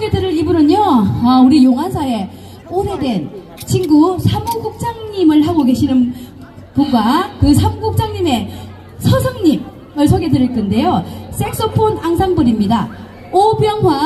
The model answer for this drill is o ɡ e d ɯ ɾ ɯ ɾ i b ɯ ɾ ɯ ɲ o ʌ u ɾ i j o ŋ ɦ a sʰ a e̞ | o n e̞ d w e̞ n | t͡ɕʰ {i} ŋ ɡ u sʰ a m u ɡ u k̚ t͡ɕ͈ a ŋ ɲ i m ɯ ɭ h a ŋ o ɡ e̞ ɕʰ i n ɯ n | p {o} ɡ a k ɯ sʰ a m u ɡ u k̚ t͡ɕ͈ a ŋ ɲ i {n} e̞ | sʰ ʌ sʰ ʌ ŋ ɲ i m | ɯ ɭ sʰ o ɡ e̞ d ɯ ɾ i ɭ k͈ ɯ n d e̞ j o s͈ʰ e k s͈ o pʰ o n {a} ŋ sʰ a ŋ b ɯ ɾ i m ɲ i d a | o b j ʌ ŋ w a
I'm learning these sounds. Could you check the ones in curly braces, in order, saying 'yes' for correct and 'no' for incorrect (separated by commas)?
yes, no, no, yes